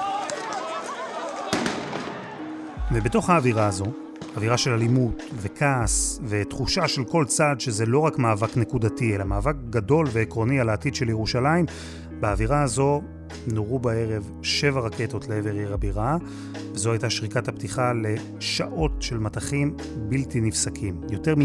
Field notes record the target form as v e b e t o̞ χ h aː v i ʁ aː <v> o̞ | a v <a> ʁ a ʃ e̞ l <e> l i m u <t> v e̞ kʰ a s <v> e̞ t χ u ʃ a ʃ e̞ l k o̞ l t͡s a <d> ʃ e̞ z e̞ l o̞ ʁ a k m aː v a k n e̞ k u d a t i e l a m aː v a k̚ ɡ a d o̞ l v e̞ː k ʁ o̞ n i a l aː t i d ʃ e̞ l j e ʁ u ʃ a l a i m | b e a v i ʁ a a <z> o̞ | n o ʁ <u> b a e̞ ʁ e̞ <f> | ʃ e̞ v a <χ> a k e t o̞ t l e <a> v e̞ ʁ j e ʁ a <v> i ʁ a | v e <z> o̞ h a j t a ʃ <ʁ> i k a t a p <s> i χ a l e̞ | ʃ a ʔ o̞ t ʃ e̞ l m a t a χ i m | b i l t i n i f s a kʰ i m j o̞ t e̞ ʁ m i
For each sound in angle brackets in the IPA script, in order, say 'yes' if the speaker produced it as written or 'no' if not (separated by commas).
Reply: no, no, no, yes, yes, yes, yes, yes, no, no, no, no, yes, yes, no